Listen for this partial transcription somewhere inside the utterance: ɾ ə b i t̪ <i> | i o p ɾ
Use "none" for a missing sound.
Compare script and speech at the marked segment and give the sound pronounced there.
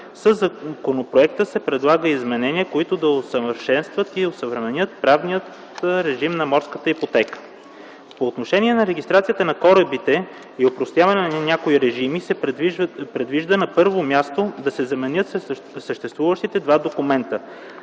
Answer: ɛ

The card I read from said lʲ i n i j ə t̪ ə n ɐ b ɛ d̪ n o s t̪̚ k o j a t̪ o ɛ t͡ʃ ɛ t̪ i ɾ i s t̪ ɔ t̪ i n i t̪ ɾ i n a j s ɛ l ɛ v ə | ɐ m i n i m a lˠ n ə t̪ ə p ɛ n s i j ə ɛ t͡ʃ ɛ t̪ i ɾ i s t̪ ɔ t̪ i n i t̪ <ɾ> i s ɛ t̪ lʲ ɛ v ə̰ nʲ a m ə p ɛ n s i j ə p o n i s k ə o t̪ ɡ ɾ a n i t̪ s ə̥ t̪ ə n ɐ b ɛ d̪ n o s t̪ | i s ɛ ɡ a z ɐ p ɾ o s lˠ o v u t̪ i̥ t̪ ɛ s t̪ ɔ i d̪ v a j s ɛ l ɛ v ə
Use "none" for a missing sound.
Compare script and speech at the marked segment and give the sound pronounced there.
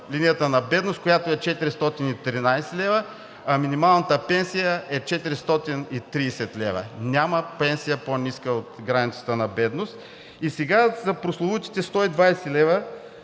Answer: ɾ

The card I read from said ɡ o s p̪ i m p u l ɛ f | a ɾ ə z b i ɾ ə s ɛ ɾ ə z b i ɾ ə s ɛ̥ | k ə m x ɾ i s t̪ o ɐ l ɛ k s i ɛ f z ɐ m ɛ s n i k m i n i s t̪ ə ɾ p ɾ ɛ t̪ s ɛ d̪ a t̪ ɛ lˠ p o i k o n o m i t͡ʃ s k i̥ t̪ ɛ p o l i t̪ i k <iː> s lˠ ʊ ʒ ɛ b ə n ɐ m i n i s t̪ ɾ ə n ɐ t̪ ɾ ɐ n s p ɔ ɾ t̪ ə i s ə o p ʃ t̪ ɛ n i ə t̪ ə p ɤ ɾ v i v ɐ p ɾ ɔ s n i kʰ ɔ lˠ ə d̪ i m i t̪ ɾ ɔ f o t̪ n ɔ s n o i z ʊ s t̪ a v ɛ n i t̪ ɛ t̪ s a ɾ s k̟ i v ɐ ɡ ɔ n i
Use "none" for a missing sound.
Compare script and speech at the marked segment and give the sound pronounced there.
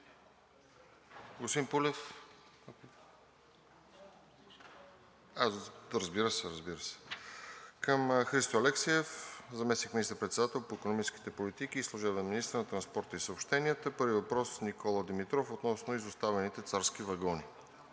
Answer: iː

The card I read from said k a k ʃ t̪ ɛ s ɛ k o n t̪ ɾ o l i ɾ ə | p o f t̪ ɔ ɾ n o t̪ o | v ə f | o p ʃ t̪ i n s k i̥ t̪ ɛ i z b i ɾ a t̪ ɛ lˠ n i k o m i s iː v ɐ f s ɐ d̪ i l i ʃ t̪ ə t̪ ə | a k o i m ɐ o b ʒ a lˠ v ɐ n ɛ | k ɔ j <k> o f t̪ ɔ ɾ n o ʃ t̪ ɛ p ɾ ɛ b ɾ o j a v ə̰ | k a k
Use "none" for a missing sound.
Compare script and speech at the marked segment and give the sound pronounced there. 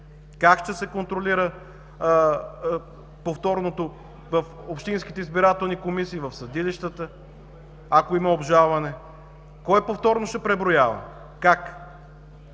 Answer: p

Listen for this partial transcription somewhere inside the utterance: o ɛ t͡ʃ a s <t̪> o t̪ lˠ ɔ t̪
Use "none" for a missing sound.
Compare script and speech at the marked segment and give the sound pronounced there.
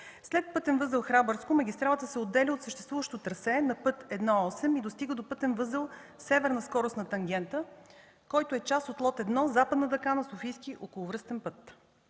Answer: t̪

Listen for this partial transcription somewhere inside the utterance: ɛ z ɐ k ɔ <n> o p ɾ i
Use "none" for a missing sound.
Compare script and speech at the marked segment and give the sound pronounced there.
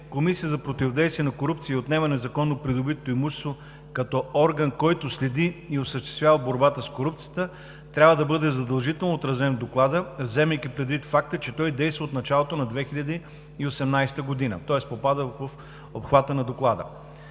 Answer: nː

